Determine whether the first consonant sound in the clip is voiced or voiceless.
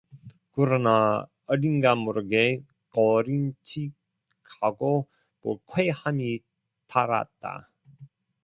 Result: voiceless